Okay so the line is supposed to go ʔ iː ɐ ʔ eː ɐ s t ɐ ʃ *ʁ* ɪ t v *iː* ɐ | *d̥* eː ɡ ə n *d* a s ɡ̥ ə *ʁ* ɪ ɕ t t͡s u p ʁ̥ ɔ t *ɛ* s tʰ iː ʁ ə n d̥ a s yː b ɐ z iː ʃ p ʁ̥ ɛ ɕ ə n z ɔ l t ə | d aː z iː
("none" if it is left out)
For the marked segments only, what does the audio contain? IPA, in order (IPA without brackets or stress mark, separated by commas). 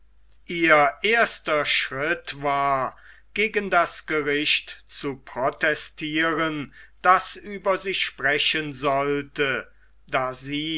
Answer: ʁ, aː, ɡ̥, d, ʁ, ɛ